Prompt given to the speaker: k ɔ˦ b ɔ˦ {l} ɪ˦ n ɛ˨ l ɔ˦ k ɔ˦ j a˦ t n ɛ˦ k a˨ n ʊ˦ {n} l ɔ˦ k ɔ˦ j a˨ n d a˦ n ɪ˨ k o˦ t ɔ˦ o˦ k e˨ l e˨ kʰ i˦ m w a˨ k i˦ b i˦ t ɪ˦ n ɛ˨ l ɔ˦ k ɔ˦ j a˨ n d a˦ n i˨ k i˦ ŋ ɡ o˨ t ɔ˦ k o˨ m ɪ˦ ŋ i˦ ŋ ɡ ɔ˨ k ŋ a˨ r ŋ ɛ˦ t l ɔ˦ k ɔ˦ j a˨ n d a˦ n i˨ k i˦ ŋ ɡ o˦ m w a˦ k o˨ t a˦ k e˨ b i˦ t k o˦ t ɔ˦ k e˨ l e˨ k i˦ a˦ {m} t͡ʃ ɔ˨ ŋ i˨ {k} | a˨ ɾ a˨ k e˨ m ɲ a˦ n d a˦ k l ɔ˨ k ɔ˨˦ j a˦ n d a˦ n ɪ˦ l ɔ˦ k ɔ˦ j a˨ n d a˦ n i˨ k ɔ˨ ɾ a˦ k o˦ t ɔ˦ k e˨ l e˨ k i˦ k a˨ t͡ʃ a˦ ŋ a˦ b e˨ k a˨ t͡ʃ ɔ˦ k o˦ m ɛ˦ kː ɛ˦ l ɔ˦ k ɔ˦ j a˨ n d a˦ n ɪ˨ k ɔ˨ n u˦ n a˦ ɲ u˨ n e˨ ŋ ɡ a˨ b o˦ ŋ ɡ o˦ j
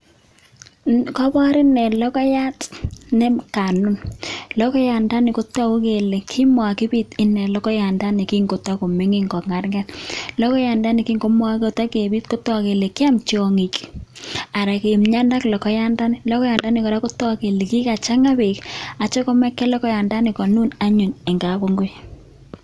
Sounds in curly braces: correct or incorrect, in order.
incorrect: ɾ, correct, correct, correct

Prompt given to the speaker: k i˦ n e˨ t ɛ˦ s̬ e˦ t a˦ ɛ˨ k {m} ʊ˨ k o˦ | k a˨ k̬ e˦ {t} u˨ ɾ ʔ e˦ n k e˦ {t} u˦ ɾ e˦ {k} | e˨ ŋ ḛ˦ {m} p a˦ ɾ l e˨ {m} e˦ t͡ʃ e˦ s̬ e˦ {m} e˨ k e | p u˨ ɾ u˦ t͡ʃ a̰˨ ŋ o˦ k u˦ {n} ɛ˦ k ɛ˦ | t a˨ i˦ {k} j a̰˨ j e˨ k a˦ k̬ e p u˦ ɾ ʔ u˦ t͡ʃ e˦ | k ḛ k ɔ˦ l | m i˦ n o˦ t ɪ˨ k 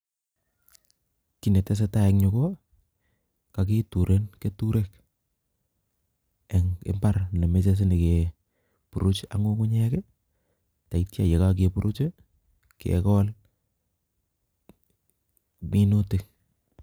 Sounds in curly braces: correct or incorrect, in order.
incorrect: ɲ, correct, correct, correct, correct, correct, incorrect: n, incorrect: ɲ, incorrect: t

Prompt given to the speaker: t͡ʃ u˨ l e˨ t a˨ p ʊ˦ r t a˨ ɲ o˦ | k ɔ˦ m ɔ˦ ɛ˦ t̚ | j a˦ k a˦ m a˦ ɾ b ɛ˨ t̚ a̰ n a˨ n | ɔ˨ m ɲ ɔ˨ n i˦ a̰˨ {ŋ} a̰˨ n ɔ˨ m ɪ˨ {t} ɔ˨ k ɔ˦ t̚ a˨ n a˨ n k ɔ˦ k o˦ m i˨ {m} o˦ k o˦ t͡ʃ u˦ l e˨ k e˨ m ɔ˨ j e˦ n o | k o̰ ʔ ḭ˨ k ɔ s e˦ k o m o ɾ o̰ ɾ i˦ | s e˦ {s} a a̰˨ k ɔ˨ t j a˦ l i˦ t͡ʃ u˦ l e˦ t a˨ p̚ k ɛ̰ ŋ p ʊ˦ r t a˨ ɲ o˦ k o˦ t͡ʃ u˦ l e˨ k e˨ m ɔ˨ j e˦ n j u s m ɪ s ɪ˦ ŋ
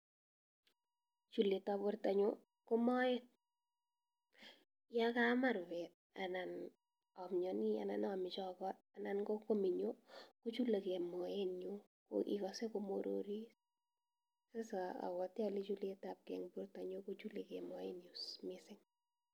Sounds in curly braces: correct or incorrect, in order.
incorrect: n, incorrect: t͡ʃ, incorrect: ɲ, correct

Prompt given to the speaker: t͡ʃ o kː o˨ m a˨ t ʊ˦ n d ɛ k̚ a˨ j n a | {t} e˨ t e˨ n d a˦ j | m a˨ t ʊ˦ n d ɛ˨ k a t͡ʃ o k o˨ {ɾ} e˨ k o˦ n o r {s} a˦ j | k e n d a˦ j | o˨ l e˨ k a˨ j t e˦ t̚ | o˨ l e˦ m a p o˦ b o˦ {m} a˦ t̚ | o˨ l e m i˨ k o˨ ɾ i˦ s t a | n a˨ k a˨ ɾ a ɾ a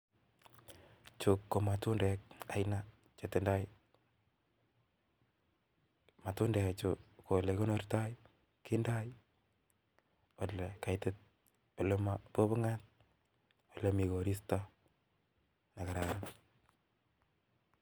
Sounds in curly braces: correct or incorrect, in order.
incorrect: t͡ʃ, incorrect: l, incorrect: t, incorrect: ŋ

